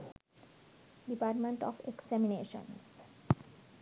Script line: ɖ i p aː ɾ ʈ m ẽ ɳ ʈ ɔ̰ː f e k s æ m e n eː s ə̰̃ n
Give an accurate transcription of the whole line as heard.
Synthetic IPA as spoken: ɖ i p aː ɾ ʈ m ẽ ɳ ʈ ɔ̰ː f e k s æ m i n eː ʃ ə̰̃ n